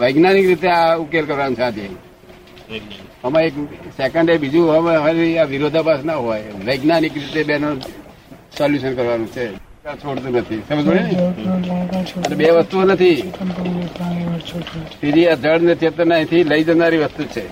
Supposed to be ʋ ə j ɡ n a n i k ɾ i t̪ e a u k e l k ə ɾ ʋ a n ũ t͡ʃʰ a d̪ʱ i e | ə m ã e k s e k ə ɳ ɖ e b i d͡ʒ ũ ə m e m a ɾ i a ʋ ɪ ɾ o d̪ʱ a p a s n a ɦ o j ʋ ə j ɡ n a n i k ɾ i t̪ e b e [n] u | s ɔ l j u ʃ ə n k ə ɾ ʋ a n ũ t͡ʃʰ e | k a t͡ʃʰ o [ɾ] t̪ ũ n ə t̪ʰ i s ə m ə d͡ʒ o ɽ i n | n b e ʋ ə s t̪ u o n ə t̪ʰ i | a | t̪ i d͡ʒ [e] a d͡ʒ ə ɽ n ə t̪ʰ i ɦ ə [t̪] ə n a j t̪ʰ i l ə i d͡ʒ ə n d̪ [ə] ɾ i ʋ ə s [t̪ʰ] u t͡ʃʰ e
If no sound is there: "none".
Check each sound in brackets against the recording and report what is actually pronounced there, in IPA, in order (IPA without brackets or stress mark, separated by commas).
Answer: n, ɽ, i, t̪, a, t̪